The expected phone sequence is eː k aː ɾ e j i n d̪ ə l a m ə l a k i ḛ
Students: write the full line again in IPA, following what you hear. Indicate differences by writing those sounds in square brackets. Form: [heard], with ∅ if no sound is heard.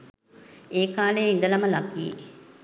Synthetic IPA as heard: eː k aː [l] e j i n d̪ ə l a m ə l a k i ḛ